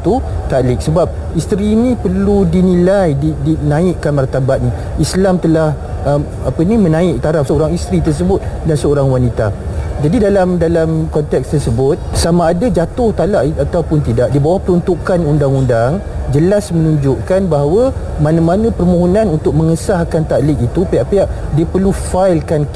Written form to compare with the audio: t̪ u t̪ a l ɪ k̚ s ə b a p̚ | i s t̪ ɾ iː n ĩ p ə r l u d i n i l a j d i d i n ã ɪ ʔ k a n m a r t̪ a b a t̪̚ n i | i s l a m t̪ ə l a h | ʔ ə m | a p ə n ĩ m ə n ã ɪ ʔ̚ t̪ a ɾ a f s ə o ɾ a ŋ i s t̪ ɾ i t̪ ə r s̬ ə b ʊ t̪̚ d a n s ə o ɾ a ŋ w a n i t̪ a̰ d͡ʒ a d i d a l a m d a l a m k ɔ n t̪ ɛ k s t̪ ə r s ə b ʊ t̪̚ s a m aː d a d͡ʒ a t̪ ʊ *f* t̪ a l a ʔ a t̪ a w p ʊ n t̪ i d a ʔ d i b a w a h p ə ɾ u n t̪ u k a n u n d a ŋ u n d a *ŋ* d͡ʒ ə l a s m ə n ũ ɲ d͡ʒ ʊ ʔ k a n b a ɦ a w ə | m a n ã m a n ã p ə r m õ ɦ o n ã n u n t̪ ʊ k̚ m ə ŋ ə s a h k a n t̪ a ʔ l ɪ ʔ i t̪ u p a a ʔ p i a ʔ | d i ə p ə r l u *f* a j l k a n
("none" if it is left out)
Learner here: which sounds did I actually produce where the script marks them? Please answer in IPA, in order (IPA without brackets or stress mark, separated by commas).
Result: h, ŋ, f